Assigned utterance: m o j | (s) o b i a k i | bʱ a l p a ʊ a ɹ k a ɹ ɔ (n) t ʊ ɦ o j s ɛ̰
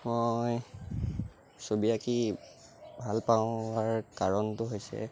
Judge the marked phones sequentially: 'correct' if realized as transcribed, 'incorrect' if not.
correct, correct

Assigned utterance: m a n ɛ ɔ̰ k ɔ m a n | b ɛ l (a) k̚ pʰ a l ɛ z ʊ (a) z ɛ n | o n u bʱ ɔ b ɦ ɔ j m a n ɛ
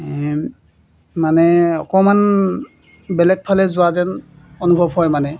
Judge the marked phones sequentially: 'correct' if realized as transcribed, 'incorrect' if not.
incorrect, correct

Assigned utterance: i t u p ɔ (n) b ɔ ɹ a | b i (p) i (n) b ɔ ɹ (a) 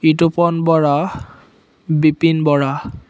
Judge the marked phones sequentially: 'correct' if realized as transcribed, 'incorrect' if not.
correct, correct, correct, correct

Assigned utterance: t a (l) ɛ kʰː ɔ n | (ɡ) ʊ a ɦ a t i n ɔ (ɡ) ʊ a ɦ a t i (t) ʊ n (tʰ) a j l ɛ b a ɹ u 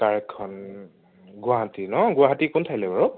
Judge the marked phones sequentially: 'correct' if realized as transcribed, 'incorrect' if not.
incorrect, correct, correct, incorrect, correct

